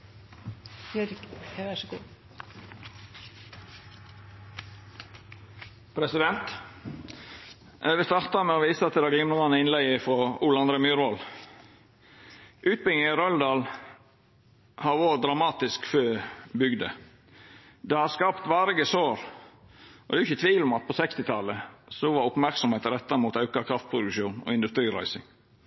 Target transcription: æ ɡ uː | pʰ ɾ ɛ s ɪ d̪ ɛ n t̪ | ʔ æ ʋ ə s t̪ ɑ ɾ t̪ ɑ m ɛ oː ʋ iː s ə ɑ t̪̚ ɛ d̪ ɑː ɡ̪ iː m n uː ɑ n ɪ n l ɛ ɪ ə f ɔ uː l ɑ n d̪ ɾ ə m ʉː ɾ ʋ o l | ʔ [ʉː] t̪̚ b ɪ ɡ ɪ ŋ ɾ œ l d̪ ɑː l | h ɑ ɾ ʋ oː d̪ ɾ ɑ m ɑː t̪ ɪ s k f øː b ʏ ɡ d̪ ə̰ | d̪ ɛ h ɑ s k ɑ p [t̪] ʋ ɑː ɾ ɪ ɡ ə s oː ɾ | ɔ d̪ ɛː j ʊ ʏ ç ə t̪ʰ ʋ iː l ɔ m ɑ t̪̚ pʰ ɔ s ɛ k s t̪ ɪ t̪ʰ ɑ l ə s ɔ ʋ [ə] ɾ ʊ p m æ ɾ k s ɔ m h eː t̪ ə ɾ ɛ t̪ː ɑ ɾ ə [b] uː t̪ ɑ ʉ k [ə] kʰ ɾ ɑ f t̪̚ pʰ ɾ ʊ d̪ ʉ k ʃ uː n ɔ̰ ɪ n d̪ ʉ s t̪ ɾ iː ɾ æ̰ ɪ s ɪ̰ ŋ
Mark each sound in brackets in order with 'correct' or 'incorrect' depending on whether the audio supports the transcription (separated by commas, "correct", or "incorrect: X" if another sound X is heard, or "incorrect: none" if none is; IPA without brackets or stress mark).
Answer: correct, correct, incorrect: ɑ, incorrect: m, incorrect: ɑ